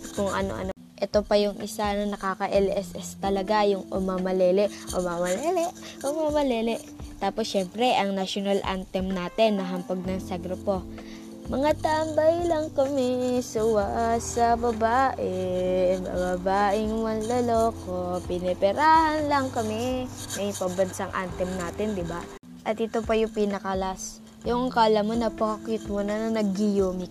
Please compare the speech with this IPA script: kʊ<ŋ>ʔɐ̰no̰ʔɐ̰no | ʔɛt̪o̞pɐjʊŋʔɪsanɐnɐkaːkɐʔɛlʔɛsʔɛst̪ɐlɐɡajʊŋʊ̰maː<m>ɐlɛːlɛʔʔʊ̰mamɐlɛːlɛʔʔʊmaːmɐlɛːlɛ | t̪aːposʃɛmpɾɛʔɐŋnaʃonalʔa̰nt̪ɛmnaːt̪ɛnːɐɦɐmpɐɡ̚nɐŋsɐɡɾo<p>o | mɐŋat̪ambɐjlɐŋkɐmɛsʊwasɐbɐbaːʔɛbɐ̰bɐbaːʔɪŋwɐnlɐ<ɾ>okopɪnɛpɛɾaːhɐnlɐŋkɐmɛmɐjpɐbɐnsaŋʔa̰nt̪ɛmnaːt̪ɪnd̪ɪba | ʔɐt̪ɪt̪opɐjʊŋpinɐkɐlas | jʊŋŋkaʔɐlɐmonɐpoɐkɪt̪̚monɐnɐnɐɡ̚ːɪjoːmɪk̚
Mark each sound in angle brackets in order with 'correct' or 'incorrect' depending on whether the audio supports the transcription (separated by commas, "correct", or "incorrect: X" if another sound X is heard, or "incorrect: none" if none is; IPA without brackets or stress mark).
correct, correct, correct, incorrect: l